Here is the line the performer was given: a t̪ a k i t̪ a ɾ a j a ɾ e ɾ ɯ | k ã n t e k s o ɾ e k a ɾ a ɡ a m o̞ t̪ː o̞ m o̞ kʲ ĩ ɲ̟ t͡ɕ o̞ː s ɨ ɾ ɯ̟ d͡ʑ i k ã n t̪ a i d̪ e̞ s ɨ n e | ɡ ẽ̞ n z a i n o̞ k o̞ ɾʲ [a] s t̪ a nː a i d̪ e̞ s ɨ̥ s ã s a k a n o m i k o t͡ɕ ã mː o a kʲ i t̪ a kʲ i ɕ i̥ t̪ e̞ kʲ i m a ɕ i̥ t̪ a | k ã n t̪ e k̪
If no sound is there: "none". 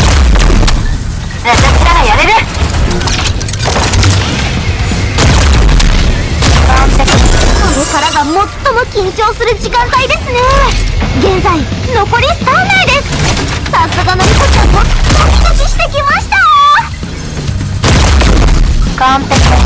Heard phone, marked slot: i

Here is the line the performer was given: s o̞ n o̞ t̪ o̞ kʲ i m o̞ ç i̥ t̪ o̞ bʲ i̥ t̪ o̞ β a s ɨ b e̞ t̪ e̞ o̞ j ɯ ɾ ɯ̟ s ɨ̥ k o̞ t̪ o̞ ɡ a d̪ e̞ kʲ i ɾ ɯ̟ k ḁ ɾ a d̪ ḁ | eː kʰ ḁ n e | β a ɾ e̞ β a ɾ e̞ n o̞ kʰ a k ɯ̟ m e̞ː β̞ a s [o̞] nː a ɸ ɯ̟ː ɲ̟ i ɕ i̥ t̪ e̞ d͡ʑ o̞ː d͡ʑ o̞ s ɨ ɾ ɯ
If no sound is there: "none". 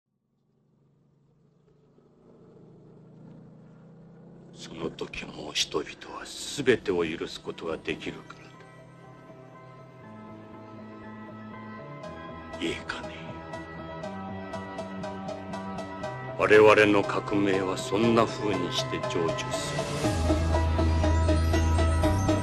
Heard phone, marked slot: õ̞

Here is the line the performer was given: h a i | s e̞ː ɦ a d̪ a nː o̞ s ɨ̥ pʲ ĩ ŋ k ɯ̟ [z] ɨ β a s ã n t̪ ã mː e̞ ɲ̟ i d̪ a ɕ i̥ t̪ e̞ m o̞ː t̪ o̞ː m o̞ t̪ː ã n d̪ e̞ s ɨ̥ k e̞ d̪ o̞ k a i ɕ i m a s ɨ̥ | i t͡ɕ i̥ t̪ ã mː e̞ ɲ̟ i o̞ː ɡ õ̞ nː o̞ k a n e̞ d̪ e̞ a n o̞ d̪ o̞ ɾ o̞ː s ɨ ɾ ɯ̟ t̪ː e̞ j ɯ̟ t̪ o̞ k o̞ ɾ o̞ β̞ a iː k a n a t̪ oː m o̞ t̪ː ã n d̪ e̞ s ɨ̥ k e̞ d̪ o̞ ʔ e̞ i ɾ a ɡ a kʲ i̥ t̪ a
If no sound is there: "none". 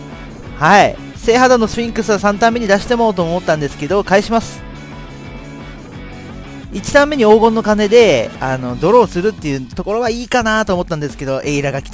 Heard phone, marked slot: s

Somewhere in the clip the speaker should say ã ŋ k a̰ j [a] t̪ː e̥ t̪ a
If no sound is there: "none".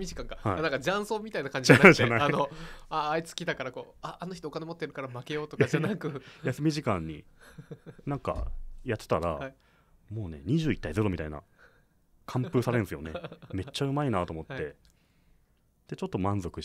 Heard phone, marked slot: a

